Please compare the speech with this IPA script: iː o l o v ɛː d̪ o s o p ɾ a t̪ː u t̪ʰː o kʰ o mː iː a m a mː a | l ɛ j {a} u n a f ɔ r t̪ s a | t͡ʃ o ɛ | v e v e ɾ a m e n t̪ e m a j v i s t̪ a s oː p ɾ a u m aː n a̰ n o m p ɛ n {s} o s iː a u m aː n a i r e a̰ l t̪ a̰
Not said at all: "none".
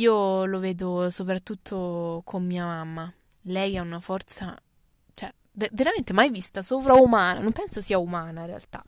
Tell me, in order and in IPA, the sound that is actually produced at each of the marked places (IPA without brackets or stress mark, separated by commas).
a, s